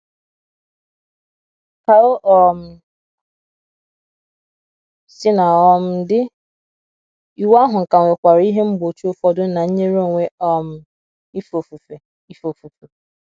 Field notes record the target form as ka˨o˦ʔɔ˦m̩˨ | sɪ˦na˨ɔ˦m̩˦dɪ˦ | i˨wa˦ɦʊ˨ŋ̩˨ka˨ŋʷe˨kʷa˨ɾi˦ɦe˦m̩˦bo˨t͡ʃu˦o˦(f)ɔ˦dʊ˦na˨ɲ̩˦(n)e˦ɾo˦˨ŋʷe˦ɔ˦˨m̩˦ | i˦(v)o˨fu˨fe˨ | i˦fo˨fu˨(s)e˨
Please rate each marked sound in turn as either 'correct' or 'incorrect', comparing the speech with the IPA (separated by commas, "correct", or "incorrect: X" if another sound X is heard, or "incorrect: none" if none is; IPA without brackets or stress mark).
correct, incorrect: ɲ, incorrect: f, incorrect: f